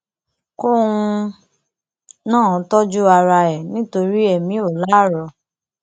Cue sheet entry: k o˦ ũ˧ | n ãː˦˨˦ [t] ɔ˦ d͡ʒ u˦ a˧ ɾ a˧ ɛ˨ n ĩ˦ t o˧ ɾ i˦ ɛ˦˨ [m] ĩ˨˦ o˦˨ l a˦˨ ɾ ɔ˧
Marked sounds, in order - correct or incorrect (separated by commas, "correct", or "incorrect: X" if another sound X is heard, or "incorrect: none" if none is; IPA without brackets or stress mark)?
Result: correct, correct